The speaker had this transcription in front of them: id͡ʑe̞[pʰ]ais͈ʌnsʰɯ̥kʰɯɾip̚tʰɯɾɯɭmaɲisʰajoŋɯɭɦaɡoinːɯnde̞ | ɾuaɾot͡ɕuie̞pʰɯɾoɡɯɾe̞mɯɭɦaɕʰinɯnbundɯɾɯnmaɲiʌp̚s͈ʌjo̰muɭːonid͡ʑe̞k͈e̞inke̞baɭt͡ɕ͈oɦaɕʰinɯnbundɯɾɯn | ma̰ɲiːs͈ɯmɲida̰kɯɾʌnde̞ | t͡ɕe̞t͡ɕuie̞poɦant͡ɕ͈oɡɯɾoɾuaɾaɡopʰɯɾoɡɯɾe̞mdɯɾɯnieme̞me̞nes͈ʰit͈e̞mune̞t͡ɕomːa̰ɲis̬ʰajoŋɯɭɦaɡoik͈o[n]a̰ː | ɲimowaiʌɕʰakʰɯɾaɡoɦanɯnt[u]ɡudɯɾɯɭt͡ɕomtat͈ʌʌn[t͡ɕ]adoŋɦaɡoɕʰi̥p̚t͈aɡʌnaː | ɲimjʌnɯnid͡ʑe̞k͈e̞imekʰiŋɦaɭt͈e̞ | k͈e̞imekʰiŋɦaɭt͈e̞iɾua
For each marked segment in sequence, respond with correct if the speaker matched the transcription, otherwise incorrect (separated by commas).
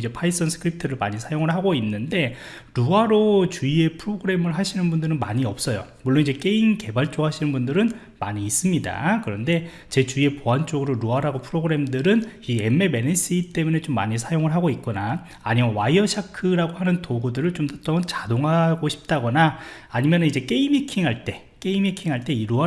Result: correct, correct, incorrect, correct